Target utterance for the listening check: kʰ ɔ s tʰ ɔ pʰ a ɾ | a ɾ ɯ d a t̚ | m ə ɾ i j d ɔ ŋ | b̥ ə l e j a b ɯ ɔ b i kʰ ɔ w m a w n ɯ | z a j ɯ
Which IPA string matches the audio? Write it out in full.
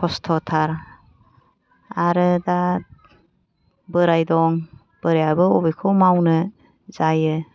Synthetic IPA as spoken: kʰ ɔ s tʰ ɔ tʰ a ɾ | a ɾ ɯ d a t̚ | b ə ɾ a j d ɔ ŋ | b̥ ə ɾ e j a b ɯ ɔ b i kʰ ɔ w m a w n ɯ | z a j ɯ